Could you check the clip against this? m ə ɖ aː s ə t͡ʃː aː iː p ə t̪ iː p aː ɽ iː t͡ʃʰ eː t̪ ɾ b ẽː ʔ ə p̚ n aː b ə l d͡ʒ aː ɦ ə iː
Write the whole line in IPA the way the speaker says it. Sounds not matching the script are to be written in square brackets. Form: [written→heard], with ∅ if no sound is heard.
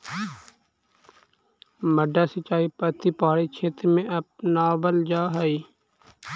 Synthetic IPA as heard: m ə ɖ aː s ə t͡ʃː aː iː p ə t̪ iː p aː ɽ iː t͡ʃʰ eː t̪ ɾ [b→m] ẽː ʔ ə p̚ n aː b ə l d͡ʒ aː ɦ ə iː